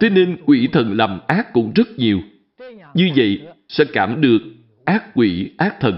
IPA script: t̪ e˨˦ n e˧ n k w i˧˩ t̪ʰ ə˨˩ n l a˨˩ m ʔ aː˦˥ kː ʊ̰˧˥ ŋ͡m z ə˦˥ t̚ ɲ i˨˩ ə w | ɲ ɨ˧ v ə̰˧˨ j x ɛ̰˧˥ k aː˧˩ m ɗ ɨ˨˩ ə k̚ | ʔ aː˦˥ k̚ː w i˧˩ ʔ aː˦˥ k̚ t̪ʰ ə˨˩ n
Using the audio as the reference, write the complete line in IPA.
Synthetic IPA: t̪ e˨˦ n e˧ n k w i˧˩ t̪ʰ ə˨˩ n l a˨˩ m ʔ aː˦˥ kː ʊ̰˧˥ ŋ͡m z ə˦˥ t̚ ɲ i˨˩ ə w | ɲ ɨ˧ v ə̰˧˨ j s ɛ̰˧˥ k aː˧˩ m ɗ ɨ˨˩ ə k̚ | ʔ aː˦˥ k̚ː w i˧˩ ʔ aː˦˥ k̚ t̪ʰ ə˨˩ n